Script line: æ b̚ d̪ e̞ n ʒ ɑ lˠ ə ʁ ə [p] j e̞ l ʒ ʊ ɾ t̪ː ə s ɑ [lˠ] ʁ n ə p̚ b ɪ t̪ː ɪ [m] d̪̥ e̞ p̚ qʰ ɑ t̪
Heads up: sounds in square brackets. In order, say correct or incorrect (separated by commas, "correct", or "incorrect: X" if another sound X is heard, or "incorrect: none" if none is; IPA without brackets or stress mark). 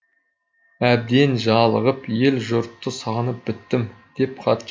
correct, incorrect: none, correct